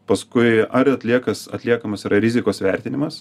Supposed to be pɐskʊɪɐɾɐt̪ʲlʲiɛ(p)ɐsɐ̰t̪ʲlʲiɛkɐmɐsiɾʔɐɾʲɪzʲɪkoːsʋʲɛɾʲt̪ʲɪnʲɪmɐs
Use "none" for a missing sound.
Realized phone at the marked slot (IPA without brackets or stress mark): k